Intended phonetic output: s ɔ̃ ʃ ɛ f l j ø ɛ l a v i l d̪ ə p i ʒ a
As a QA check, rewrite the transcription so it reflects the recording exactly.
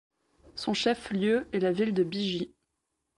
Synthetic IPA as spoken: s ɔ̃ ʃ ɛ f l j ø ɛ l a v i l d̪ ə b i ʒ i